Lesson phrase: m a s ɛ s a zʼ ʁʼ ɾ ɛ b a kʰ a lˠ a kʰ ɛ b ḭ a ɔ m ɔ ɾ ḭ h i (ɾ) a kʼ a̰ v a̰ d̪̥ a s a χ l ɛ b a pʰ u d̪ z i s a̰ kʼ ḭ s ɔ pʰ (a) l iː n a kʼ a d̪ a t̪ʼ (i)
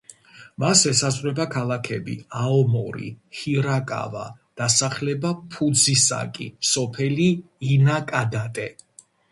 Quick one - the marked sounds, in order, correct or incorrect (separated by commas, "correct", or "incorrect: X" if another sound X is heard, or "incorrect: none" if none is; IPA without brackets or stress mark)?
correct, incorrect: ɛ, incorrect: ɛ